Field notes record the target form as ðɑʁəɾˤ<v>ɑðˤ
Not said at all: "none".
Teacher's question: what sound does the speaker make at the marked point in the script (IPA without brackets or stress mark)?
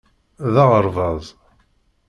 v